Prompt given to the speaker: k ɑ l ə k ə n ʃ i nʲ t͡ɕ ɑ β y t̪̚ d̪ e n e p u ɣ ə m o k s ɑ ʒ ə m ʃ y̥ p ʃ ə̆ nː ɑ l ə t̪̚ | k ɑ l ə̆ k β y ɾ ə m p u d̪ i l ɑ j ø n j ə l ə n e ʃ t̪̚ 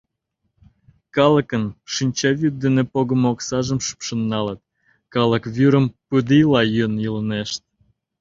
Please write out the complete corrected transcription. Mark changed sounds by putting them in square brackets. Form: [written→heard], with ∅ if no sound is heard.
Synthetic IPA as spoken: k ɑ l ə k ə n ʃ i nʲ t͡ɕ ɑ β y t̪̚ d̪ e n e p [u→o] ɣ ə m o k s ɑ ʒ ə m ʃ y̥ p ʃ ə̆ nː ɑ l ə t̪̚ | k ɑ l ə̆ k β y ɾ ə m p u d̪ i l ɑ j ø n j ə l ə n e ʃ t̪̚